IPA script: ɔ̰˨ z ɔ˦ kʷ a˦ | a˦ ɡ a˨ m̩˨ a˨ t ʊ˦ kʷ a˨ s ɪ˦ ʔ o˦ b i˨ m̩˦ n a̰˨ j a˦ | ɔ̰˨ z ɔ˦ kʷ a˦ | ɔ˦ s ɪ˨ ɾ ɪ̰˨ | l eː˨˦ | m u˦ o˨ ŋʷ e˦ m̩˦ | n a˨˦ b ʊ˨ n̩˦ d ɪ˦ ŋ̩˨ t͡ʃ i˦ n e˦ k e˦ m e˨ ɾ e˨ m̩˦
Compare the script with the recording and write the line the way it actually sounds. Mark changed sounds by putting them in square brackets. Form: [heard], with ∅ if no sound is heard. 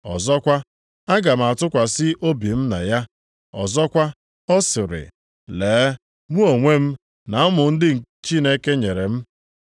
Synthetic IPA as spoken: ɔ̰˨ z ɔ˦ kʷ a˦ | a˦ ɡ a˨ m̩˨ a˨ t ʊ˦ kʷ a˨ s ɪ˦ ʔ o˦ b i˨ m̩˦ n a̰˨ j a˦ | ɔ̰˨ z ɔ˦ kʷ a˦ | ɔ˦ s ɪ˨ ɾ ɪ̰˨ | l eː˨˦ | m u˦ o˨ ŋʷ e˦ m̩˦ | n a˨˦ [m] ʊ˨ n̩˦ d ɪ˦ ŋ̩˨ t͡ʃ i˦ n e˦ k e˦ [ɲ] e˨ ɾ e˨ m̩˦